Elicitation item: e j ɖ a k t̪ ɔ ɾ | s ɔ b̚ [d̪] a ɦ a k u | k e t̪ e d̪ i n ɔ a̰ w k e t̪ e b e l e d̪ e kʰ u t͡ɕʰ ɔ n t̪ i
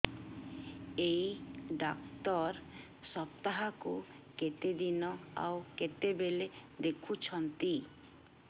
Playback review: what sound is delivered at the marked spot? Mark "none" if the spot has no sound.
t̪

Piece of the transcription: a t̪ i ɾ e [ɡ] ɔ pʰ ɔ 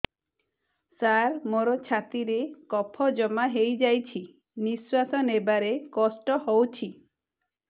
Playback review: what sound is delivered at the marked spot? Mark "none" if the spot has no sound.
k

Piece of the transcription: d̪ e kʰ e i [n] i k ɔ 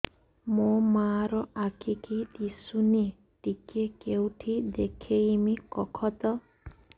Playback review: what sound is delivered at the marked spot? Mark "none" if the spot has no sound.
m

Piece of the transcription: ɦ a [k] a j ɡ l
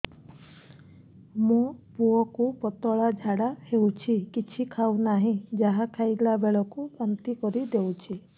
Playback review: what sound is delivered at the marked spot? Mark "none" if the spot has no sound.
kʰ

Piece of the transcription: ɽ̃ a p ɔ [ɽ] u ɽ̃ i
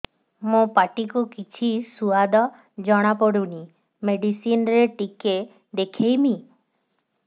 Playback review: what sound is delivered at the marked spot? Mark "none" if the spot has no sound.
ɽ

